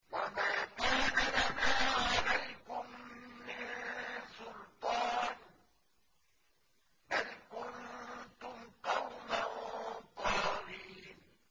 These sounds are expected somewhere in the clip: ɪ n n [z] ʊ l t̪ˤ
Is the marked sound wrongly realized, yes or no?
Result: yes